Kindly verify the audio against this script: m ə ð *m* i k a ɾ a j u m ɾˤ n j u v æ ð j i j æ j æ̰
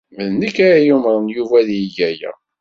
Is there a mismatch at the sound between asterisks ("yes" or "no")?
yes